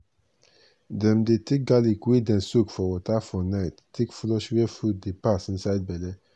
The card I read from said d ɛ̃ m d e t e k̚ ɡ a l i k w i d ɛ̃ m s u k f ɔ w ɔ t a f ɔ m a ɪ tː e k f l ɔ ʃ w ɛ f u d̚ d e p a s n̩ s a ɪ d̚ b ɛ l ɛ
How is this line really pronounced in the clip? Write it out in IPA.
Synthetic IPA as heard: d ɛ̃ m d e t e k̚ ɡ a l i k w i d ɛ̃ n s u k f ɔ w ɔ t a f ɔ n a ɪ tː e k f l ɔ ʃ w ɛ f u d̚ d e p a s n̩ s a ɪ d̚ b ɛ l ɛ